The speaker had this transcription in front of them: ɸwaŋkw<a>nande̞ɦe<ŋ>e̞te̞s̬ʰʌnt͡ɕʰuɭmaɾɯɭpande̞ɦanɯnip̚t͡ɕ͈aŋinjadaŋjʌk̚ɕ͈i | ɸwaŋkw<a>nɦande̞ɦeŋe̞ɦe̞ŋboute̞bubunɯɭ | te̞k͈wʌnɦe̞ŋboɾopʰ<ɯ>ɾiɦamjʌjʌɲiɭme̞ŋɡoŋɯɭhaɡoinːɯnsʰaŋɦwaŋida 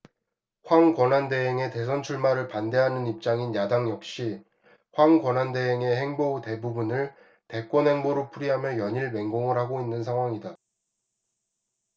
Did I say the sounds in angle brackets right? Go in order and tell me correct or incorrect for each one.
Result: incorrect, correct, incorrect, incorrect

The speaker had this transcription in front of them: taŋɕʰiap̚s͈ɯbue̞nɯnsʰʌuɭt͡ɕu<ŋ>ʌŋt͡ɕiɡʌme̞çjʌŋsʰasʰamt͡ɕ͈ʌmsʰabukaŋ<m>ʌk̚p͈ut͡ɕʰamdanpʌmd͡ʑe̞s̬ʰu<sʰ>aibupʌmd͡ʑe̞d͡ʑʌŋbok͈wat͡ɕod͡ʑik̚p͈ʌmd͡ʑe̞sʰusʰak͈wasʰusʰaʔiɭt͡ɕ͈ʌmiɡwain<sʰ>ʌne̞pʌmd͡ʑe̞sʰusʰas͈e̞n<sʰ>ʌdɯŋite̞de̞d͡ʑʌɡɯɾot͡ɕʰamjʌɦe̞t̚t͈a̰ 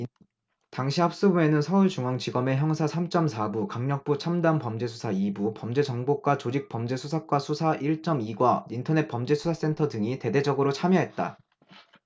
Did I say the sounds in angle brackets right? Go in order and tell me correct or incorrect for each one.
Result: correct, incorrect, correct, incorrect, incorrect

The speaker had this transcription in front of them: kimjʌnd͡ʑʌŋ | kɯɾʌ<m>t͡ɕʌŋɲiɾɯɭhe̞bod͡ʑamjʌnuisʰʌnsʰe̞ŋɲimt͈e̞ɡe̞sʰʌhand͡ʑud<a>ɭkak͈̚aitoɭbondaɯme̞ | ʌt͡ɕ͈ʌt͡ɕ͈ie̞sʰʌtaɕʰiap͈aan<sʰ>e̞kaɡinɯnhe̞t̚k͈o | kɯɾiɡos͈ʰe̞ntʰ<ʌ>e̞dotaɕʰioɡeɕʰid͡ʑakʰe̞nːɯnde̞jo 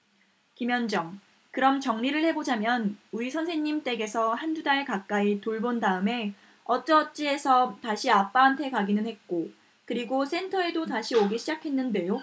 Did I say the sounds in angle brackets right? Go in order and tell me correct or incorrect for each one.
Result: correct, correct, incorrect, correct

